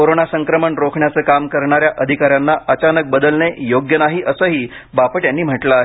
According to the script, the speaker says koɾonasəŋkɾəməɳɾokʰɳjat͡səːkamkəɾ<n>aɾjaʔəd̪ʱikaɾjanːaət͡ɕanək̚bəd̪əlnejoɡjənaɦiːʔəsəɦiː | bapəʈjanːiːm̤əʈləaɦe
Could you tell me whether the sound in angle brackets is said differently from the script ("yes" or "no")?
yes